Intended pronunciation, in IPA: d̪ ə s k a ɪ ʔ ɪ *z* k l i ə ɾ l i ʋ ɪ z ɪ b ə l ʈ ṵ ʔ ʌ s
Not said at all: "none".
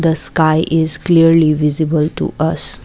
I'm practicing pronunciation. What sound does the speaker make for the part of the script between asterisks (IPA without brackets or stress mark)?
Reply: z